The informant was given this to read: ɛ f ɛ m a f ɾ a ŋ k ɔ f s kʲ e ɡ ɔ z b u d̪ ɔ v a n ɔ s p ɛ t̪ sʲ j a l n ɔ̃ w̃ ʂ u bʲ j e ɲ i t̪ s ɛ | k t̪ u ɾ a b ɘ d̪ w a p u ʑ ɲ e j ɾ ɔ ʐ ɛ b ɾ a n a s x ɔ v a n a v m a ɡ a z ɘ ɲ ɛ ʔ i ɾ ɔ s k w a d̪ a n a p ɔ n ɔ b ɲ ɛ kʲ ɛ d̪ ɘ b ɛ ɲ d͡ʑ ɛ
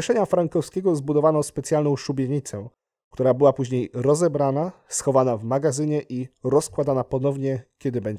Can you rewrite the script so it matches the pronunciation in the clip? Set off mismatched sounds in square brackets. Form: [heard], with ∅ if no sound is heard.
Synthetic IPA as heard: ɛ [ʂ] ɛ [ɲ] a f ɾ a ŋ k ɔ f s kʲ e ɡ ɔ z b u d̪ ɔ v a n ɔ s p ɛ t̪ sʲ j a l n ɔ̃ w̃ ʂ u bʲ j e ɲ i t̪ s ɛ | k t̪ u ɾ a b ɘ [∅] w a p u ʑ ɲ e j ɾ ɔ [z] ɛ b ɾ a n a s x ɔ v a n a v m a ɡ a z ɘ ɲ ɛ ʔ i ɾ ɔ s k w a d̪ a n a p ɔ n ɔ [v] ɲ ɛ kʲ ɛ d̪ ɘ b ɛ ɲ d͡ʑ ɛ